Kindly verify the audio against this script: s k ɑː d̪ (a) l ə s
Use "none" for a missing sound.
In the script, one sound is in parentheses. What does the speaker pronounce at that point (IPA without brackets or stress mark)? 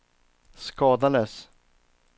a